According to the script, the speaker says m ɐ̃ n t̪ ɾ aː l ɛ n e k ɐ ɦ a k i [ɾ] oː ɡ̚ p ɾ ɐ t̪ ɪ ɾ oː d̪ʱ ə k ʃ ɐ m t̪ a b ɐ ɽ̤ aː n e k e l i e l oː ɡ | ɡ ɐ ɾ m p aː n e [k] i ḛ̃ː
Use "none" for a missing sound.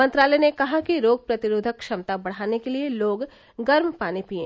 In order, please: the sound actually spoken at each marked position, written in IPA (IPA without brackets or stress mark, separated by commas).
ɾ, p